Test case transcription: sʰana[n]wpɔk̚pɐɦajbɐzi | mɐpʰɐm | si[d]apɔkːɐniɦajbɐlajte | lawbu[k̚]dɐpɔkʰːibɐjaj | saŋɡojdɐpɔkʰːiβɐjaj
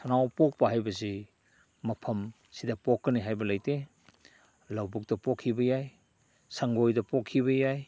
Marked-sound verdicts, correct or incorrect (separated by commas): incorrect, correct, correct